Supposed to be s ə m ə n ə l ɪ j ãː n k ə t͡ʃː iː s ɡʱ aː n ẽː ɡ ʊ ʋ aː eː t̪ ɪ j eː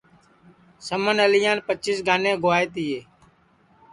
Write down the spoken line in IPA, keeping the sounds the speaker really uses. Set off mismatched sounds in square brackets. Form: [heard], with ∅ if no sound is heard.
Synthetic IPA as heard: s ə m ə n ə l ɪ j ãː n [p] ə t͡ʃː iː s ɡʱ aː n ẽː ɡ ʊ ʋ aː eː t̪ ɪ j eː